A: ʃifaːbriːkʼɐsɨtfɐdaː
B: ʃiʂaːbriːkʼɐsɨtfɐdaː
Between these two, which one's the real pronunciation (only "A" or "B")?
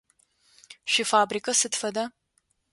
A